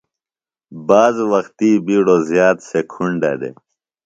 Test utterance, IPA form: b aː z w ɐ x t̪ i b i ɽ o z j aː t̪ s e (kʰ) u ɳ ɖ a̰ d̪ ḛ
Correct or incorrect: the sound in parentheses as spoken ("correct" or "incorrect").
correct